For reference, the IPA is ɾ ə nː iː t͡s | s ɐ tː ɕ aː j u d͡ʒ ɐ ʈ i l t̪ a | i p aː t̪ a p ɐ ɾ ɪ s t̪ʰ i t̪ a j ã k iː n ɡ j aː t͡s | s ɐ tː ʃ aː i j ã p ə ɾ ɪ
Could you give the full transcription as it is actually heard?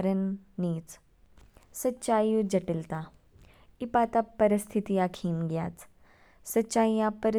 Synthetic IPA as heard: ɾ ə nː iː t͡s | s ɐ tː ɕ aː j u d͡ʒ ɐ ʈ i l t̪ a | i p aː t̪ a p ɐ ɾ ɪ s t̪ʰ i t̪ i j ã kʰ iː n ɡ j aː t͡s | s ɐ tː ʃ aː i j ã p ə ɾ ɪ